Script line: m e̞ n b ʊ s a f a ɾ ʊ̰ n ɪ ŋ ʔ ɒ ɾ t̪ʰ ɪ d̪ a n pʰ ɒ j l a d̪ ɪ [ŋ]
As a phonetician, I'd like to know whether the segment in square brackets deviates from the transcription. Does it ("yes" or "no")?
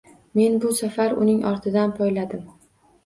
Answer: yes